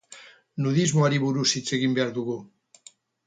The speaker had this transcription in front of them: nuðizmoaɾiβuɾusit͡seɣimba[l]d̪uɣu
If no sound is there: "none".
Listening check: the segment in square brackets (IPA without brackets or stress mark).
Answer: ɾ